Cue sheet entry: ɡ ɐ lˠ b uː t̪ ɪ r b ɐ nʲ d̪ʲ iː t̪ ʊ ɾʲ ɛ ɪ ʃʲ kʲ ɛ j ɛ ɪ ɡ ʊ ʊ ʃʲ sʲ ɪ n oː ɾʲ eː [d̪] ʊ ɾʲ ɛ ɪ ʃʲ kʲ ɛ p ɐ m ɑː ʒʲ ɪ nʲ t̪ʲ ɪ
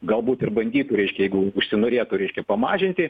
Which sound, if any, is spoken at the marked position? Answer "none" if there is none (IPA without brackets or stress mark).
t̪